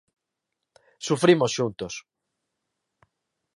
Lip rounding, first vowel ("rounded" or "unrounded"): rounded